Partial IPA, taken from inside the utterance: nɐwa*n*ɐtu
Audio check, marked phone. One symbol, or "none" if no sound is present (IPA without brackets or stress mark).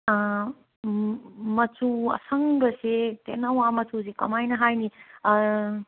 m